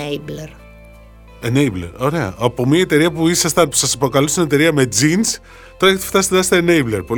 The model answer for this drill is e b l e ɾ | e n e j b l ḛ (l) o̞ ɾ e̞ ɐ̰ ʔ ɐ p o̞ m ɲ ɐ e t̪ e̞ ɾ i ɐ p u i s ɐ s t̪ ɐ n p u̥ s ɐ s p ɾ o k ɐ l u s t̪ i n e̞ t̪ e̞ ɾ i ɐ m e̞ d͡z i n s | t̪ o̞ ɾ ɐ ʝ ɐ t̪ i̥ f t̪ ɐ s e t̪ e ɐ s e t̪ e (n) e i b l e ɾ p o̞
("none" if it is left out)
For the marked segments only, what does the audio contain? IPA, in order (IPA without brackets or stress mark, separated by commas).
ɾ, n